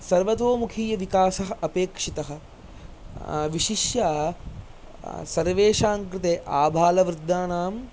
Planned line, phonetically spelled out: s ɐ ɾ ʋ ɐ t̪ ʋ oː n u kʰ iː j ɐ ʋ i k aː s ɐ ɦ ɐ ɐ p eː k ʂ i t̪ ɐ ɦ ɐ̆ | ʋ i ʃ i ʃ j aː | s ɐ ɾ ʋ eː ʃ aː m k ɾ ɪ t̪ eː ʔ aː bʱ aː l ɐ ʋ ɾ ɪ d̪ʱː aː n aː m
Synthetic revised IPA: s ɐ ɾ ʋ ɐ t̪ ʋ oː m u kʰ iː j ɐ ʋ i k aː s ɐ ɦ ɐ ɐ p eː k ʂ i t̪ ɐ ɦ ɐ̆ | ʋ i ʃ i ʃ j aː | s ɐ ɾ ʋ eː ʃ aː ŋ k ɾ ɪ t̪ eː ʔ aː bʱ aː l ɐ ʋ ɾ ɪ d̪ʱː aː n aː m